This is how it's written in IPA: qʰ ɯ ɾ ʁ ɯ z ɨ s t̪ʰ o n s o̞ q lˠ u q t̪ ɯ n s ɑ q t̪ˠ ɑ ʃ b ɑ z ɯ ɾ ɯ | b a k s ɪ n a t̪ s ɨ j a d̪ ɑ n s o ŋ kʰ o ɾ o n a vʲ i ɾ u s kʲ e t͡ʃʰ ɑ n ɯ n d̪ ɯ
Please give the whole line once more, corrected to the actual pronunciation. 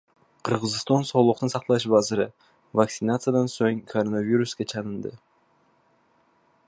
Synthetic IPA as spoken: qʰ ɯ ɾ ʁ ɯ z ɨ s t̪ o n s o̞ lˠ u q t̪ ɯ n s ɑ q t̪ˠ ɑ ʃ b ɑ z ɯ ɾ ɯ | v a k s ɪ n a t̪ s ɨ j a d̪ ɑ n s o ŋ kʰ o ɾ o n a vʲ i ɾ u s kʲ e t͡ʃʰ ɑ n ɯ n d̪ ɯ